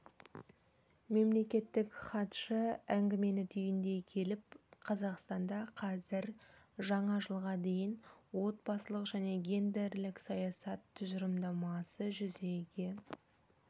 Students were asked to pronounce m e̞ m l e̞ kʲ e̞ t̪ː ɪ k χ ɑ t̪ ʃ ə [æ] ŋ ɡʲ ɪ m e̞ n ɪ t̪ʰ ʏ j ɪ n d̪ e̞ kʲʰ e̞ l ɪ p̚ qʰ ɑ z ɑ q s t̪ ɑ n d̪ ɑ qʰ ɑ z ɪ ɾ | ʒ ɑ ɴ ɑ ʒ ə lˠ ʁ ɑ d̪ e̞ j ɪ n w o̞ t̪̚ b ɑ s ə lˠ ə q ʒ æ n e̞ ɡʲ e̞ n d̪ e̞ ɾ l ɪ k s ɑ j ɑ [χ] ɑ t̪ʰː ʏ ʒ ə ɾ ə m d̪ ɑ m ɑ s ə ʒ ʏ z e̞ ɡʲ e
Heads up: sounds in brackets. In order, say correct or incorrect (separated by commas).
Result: correct, incorrect